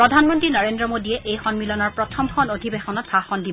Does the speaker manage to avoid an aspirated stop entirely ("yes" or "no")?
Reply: no